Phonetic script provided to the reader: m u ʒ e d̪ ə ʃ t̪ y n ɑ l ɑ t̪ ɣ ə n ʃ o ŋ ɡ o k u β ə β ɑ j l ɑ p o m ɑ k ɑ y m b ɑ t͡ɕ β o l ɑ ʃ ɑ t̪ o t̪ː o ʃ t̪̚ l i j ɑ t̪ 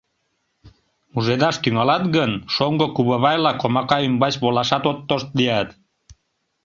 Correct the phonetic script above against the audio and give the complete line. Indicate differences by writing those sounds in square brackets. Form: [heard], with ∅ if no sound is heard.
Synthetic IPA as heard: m u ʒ e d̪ [ɑ] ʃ t̪ y [ŋ] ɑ l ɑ t̪ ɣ ə n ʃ o ŋ ɡ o k u β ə β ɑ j l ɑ [k] o m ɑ k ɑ y m b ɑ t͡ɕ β o l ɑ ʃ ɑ t̪ o t̪ː o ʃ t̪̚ l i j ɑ t̪